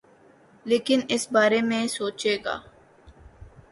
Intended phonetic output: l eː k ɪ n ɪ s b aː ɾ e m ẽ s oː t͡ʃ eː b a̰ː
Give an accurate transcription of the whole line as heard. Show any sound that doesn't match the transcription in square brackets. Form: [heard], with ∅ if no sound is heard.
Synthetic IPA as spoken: l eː k ɪ n ɪ s b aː ɾ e m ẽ s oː t͡ʃ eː [ɡ] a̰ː